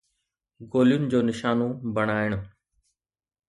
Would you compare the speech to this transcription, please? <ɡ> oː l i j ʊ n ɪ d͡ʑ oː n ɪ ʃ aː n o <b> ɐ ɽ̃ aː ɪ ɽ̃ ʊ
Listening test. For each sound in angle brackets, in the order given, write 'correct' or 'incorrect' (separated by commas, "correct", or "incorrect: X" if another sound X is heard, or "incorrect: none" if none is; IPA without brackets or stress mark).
correct, correct